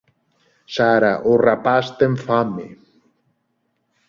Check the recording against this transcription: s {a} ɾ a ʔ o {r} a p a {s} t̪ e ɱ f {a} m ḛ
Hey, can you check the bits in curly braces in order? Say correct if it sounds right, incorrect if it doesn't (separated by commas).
correct, correct, correct, correct